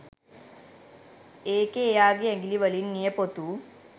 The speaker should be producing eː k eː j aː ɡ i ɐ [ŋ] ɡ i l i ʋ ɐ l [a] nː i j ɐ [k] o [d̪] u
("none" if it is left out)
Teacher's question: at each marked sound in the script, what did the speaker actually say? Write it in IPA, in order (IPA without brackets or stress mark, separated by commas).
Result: ŋ, i, p, t̪